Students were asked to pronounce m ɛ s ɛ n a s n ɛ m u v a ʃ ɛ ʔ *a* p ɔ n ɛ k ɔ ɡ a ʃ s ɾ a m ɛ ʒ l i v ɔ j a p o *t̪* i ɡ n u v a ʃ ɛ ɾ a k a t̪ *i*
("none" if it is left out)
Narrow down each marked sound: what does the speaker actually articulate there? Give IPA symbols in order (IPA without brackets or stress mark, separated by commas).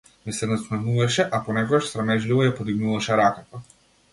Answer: a, d̪, a